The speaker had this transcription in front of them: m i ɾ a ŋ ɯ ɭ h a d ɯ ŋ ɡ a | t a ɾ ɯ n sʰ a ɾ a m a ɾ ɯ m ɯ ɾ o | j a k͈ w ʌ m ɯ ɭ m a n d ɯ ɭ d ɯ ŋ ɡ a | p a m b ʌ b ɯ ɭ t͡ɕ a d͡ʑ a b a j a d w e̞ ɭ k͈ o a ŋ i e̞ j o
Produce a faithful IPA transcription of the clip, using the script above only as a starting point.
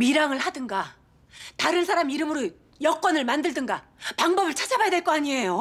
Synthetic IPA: m i ɾ a ŋ ɯ ɭ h a d ɯ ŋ ɡ a | t a ɾ ɯ n sʰ a ɾ a m i ɾ ɯ m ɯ ɾ o | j ʌ k͈ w ʌ n ɯ ɭ m a n d ɯ ɭ d ɯ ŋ ɡ a | p a ŋ b ʌ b ɯ ɭ t͡ɕʰ a d͡ʑ a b a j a d w e̞ ɭ k͈ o a ɲ i e̞ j o

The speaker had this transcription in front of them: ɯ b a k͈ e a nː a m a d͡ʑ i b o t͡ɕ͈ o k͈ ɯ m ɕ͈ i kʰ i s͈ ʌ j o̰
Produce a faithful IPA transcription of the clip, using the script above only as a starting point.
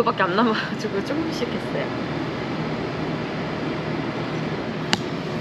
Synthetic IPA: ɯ b a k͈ e a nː a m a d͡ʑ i ɡ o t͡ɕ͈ o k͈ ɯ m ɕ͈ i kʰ e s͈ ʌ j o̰

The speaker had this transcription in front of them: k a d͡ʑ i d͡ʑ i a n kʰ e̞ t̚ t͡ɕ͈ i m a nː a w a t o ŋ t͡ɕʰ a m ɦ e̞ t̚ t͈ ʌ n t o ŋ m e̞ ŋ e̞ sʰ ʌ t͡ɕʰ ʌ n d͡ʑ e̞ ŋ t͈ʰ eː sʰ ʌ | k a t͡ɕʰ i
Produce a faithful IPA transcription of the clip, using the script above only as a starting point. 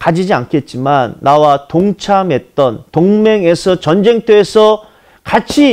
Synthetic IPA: k a d͡ʑ i d͡ʑ i a n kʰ e̞ t̚ t͡ɕ͈ i m a nː a w a t o ŋ t͡ɕʰ a m ɦ e̞ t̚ t͈ ʌ n t o ŋ m e̞ ŋ e̞ sʰ ʌ t͡ɕ ʌ n d͡ʑ e̞ ŋ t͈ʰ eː sʰ ʌ | k a t͡ɕʰ i

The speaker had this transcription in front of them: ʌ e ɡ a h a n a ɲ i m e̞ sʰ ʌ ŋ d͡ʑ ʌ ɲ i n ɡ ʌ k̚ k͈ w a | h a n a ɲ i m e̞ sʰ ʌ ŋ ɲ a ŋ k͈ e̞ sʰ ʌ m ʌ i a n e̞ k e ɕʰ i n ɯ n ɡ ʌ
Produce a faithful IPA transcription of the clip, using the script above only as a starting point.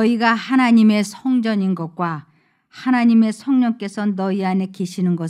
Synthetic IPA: ʌ i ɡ a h a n a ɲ i m e̞ sʰ ʌ ŋ d͡ʑ ʌ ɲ i n ɡ ʌ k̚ k͈ w a | h a n a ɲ i m e̞ sʰ ʌ ŋ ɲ ʌ ŋ k͈ e̞ sʰ ʌ n ʌ i a n e̞ k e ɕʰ i n ɯ n ɡ ʌ

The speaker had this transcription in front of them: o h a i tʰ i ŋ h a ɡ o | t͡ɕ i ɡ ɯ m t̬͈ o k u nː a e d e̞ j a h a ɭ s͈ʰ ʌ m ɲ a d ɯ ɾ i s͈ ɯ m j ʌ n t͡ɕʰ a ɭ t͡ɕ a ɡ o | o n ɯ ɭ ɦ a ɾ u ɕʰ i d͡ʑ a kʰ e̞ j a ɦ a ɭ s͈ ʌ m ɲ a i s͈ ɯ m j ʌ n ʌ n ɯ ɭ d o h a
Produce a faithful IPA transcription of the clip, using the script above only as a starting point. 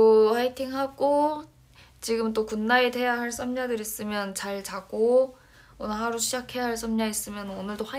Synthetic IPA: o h a i tʰ i ŋ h a ɡ o | t͡ɕ i ɡ ɯ m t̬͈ o k u nː a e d e̞ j a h a ɭ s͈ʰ ʌ m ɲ a d ɯ ɾ i s͈ ɯ m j ʌ n t͡ɕ a ɭ t͡ɕ a ɡ o | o n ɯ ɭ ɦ a ɾ u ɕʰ i d͡ʑ a kʰ e̞ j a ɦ a ɭ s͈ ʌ m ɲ a i s͈ ɯ m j ʌ n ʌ n ɯ ɭ d o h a

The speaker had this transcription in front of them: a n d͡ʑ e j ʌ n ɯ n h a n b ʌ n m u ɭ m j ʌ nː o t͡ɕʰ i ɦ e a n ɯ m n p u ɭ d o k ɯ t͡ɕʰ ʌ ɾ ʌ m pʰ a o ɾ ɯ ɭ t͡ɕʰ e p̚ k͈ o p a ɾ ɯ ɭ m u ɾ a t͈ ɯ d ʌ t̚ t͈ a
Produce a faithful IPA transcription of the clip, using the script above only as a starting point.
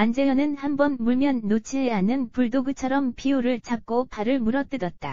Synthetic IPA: a n d͡ʑ e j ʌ n ɯ n h a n b ʌ n m u ɭ m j ʌ nː o t͡ɕʰ i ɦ e a n ɯ n p u ɭ d o ɡ ɯ t͡ɕʰ ʌ ɾ ʌ m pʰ i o ɾ ɯ ɭ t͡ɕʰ a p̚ k͈ o p a ɾ ɯ ɭ m u ɾ ʌ t͈ ɯ d ʌ t̚ t͈ a

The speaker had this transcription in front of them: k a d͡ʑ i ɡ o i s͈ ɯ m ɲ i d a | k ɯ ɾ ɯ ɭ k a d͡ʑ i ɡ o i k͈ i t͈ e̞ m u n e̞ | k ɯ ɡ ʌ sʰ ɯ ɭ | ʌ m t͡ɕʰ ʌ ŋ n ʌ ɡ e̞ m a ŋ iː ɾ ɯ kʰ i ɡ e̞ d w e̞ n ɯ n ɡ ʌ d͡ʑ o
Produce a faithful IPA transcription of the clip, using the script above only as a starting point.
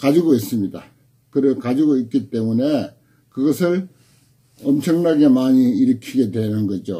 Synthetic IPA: k a d͡ʑ i ɡ o i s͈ ɯ m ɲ i d a | k ɯ ɾ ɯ ɭ k a d͡ʑ i ɡ o i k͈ i t͈ e̞ m u n e̞ | k ɯ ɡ ʌ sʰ ɯ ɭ | ʌ m t͡ɕʰ ʌ ŋ n a ɡ e̞ m a ɲ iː ɾ ɯ kʰ i ɡ e̞ d w e̞ n ɯ n ɡ ʌ d͡ʑ o

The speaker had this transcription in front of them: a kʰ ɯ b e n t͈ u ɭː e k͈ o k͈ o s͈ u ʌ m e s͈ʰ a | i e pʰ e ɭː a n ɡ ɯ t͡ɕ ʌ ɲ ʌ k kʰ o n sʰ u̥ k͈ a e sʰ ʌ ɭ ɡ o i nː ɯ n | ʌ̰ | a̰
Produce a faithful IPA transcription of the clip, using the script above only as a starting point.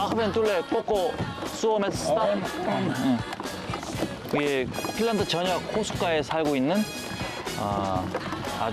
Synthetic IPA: a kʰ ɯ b e n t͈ u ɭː e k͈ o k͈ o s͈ u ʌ m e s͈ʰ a | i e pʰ i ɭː a n d ɯ t͡ɕ ʌ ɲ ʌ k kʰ o sʰ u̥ k͈ a e sʰ a ɭ ɡ o i nː ɯ n | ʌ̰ | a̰

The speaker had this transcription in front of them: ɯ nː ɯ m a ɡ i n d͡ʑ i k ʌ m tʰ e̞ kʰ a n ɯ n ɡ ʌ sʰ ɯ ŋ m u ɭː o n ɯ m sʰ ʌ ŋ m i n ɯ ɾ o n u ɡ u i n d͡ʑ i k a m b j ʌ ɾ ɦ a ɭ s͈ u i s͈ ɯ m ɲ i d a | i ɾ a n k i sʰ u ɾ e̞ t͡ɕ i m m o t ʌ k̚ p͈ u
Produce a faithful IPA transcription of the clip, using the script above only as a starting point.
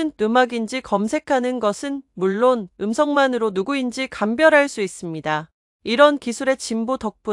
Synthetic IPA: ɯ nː ɯ m a ɡ i n d͡ʑ i k ʌ m sʰ e̞ kʰ a n ɯ n ɡ ʌ sʰ ɯ n m u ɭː o n ɯ m sʰ ʌ ŋ m a n ɯ ɾ o n u ɡ u i n d͡ʑ i k a m b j ʌ ɾ ɦ a ɭ s͈ u i s͈ ɯ m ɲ i d a | i ɾ ʌ n k i sʰ u ɾ e̞ t͡ɕ i m b o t ʌ k̚ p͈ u

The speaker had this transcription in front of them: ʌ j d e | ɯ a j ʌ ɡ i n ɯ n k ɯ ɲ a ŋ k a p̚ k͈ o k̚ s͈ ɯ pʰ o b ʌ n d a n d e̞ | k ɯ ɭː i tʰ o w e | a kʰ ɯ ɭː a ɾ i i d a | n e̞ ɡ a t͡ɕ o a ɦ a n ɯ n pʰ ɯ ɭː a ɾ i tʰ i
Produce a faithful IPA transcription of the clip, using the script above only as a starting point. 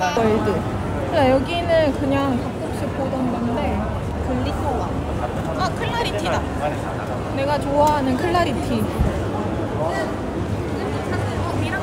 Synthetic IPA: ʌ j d e | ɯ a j ʌ ɡ i n ɯ n k ɯ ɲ a ŋ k a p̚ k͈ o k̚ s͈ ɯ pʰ o d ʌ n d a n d e̞ | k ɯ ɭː i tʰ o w a | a kʰ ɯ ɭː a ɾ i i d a | n e̞ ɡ a t͡ɕ o a ɦ a n ɯ n kʰ ɯ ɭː a ɾ i tʰ i

